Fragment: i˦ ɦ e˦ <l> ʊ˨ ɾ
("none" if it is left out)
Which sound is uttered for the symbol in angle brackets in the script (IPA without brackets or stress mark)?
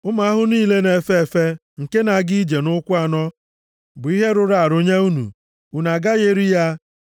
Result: ɾ